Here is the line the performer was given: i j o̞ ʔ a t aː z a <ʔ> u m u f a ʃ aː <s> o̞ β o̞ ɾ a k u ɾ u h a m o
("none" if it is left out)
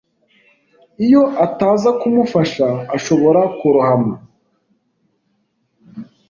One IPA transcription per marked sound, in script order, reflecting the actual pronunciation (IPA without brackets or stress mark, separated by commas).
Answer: k, ʃ